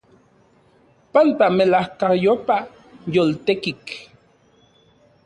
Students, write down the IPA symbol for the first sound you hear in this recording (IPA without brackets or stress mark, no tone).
p